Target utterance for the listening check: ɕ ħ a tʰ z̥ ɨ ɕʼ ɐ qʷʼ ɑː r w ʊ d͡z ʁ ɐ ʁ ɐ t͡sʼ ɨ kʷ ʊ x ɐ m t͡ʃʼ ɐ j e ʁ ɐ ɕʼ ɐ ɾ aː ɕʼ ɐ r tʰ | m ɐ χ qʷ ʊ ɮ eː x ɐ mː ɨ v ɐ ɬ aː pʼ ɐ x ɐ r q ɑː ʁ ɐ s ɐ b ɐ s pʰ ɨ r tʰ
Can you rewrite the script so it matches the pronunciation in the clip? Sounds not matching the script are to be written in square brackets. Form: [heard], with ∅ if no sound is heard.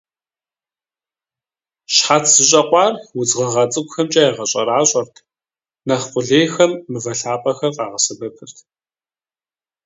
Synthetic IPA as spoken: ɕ ħ a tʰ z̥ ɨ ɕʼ ɐ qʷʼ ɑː r w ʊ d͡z ʁ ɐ ʁ ɐ t͡sʼ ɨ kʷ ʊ x ɐ m t͡ʃʼ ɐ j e ʁ ɐ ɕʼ ɐ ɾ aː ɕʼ ɐ r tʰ | [n] ɐ χ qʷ ʊ ɮ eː x ɐ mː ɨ v ɐ ɬ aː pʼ ɐ x ɐ r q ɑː ʁ ɐ s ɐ b ɐ [∅] pʰ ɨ r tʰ